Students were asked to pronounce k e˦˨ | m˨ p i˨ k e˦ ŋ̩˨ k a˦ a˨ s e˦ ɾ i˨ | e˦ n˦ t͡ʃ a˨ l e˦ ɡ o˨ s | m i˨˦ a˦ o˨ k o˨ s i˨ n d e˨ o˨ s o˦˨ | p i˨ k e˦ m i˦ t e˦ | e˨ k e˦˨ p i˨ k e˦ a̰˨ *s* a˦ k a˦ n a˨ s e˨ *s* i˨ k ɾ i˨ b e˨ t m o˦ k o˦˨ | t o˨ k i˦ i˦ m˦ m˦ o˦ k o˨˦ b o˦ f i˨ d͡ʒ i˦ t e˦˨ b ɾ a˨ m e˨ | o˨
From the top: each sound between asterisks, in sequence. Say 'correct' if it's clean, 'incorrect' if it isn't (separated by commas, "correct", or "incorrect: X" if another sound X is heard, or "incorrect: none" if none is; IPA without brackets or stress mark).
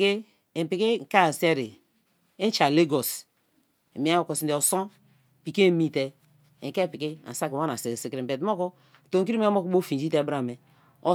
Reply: correct, correct